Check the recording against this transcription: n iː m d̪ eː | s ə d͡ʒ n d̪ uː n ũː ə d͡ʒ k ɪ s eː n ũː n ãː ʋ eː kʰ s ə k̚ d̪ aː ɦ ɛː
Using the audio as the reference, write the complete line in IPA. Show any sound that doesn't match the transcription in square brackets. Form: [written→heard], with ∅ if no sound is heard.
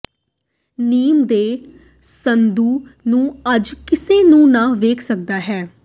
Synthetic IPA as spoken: n iː m d̪ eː | s ə [d͡ʒ→∅] n d̪ uː n ũː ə d͡ʒ k ɪ s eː n ũː n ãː ʋ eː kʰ s ə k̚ d̪ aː ɦ ɛː